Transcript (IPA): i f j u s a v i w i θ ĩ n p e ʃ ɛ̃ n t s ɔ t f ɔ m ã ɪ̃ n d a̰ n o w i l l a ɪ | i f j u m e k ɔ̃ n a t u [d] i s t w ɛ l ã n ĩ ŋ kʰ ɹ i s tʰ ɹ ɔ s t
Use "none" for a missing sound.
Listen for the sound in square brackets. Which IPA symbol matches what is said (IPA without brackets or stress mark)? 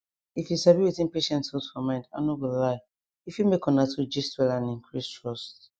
d͡ʒ